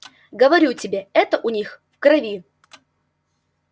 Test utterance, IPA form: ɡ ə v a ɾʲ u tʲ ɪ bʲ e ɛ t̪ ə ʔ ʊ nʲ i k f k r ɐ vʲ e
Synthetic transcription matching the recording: ɡ ə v ɐ ɾʲ u tʲ ɪ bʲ e ɛ t̪ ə ʔ ʊ nʲ i x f k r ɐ vʲ i